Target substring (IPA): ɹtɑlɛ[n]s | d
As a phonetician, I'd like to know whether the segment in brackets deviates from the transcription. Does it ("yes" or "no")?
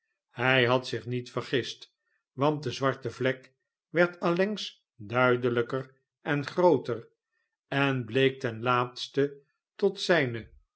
yes